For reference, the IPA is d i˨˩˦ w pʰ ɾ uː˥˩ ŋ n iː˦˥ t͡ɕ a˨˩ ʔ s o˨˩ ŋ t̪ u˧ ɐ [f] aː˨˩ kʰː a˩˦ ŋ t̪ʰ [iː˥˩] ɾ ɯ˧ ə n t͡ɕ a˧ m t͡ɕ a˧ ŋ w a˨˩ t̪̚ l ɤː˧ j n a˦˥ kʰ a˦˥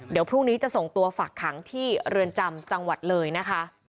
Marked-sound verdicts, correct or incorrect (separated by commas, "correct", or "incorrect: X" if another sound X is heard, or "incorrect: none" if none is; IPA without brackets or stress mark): correct, correct